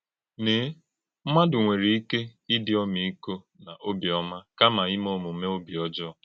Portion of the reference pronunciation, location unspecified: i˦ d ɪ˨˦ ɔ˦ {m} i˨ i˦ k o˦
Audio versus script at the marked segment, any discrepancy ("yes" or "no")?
no